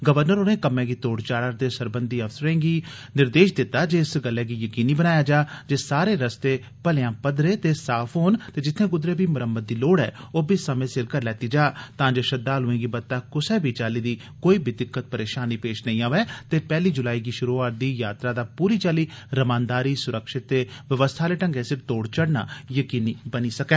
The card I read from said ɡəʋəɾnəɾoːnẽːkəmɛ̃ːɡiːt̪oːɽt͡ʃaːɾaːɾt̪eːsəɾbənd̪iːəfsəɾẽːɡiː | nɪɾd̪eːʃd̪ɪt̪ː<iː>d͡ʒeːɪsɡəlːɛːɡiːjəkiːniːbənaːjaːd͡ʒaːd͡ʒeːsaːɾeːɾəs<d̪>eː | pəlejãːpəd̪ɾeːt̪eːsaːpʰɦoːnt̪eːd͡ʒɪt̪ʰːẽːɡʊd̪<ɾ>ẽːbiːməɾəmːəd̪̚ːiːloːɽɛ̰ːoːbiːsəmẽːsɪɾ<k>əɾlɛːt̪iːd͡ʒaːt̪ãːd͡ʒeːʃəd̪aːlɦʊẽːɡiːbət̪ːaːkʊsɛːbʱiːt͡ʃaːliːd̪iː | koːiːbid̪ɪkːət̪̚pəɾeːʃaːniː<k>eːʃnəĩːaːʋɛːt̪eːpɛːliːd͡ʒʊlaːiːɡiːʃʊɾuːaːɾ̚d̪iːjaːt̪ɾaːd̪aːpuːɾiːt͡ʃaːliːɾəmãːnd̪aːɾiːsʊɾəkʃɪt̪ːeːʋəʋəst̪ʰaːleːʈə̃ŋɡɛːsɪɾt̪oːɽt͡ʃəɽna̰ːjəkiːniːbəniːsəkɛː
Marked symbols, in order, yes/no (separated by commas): no, no, yes, yes, no